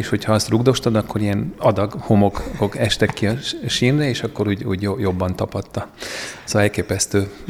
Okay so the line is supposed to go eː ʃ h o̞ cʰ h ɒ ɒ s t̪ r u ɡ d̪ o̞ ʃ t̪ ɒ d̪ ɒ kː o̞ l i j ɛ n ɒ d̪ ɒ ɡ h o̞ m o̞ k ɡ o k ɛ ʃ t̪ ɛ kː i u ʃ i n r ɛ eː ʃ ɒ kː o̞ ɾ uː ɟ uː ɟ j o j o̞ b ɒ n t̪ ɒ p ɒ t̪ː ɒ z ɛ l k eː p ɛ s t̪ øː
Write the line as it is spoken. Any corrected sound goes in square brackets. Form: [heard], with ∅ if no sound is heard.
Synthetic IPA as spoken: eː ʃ h o̞ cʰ h ɒ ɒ s t̪ r u ɡ d̪ o̞ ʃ t̪ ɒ d̪ ɒ kː o̞ [ɾ] i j ɛ n ɒ d̪ ɒ ɡ h o̞ m o̞ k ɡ o k ɛ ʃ t̪ ɛ kː i [ɒ] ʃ i n r ɛ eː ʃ ɒ kː o̞ ɾ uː ɟ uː ɟ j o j o̞ [bː] ɒ n t̪ ɒ p ɒ t̪ː ɒ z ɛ l k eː p ɛ s t̪ øː